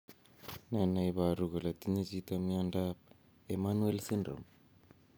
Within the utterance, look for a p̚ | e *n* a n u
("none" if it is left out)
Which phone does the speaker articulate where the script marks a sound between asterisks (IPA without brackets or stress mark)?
m